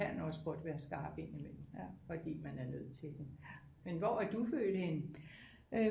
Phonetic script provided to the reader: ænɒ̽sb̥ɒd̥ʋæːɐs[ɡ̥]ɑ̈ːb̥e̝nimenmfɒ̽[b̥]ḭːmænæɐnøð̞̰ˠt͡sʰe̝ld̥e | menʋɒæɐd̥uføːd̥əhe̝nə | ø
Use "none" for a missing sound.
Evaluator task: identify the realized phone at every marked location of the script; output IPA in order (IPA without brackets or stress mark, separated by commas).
ɡ̥, d̥